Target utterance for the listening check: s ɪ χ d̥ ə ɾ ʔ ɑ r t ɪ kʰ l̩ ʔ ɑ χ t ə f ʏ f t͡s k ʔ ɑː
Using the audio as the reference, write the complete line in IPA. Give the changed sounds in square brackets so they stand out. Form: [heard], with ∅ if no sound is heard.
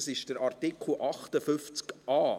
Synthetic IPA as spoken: s ɪ [ʃ] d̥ ə ɾ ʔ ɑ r t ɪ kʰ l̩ ʔ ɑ χ t ə f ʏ f t͡s k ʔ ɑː